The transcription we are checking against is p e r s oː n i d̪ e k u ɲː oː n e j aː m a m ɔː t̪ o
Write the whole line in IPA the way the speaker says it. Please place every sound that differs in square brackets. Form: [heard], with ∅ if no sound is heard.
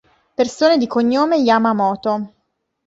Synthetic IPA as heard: p e r s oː n [e] d̪ [i] k [o] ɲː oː [m] e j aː m a m ɔː t̪ o